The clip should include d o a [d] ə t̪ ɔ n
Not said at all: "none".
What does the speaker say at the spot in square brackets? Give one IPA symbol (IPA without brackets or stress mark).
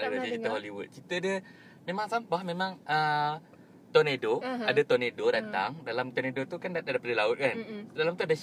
d